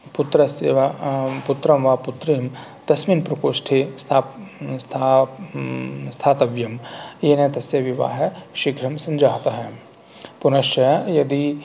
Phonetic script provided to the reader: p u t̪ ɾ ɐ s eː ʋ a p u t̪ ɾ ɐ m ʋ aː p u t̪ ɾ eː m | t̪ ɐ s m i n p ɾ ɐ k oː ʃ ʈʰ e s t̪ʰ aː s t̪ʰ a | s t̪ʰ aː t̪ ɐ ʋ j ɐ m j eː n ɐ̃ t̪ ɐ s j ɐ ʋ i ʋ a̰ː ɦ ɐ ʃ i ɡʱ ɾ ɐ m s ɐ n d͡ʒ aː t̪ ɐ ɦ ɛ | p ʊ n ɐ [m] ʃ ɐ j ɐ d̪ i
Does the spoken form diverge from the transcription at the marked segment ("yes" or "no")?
yes